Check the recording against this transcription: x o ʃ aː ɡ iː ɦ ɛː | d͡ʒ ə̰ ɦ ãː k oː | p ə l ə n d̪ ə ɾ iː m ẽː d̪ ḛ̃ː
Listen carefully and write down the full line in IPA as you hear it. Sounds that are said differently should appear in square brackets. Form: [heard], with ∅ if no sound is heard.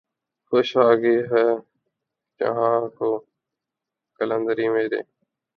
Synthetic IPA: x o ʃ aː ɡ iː ɦ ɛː | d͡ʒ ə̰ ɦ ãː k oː | [k] ə l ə n d̪ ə ɾ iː m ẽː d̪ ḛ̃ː